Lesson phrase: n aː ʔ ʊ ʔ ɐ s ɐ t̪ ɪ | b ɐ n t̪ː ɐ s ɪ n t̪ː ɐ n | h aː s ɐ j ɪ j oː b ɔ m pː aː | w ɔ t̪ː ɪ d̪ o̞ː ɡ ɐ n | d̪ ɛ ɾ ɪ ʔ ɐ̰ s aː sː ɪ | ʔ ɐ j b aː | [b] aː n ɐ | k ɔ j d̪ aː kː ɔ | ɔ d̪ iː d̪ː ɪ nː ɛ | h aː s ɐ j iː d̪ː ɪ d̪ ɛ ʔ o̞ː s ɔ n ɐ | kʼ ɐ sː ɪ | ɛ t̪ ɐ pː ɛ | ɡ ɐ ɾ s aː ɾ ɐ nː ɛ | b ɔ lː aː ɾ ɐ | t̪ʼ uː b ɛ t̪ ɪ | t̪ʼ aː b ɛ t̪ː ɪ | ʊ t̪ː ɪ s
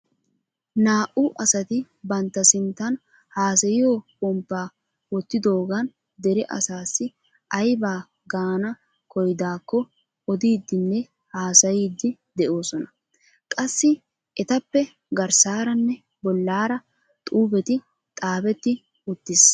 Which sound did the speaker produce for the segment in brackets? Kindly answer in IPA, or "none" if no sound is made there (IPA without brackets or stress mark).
ɡ